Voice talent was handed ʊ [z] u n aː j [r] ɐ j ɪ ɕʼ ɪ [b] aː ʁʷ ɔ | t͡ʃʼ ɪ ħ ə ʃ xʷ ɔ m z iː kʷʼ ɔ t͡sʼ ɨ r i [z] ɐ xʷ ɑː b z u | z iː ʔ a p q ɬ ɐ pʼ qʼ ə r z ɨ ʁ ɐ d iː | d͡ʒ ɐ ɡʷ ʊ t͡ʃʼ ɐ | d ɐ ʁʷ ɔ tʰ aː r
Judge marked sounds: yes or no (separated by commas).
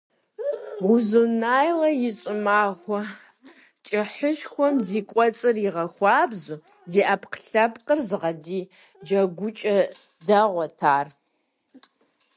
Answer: yes, no, no, no